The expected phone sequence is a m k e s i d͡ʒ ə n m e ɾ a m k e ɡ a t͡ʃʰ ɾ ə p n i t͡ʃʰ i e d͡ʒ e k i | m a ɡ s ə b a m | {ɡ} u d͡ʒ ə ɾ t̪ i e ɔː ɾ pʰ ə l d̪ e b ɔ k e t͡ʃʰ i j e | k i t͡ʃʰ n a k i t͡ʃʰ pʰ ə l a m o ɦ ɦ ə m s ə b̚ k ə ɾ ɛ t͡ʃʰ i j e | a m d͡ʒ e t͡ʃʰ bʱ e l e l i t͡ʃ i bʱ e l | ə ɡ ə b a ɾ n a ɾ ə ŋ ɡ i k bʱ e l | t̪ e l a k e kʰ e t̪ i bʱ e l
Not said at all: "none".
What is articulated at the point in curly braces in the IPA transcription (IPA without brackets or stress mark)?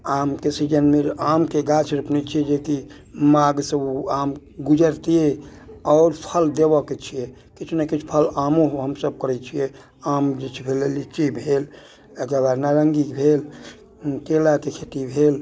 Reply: ɡ